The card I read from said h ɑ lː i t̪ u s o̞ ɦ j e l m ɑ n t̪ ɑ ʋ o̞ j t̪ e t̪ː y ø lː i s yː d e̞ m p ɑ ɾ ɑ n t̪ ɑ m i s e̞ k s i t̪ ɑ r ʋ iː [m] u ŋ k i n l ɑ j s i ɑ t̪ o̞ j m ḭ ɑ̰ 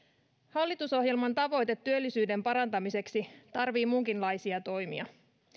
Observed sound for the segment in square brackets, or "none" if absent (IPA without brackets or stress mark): m